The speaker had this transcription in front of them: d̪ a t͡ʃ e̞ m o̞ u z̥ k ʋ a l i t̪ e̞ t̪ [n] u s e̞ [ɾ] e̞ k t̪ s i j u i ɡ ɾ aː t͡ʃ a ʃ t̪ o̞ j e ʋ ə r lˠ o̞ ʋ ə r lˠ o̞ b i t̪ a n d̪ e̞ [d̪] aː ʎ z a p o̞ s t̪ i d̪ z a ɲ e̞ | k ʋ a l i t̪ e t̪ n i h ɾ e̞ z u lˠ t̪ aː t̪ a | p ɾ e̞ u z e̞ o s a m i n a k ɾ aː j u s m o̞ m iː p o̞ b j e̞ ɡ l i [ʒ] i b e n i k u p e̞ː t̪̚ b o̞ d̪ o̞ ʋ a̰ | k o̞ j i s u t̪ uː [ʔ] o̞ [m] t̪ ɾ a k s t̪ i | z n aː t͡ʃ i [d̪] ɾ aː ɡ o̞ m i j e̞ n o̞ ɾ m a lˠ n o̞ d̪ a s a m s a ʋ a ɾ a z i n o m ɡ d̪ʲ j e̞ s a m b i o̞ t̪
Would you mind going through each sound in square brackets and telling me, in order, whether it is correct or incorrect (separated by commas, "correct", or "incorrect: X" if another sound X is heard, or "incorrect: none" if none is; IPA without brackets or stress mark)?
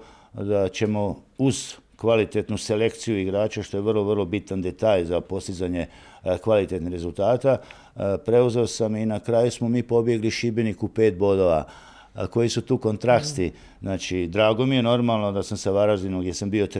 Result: correct, incorrect: l, incorrect: t̪, incorrect: ʃ, incorrect: k, incorrect: n, correct